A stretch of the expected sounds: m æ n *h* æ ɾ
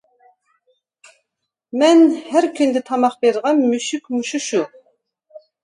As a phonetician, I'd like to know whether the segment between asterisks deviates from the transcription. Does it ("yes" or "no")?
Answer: no